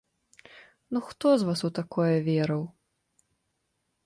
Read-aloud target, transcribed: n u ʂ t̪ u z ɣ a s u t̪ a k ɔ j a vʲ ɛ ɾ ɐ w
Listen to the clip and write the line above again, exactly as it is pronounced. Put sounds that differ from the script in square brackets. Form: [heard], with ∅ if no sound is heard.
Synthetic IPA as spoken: n u [x] t̪ [ɔ] z [v] a s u t̪ a k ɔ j [ɐ] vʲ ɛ ɾ ɐ w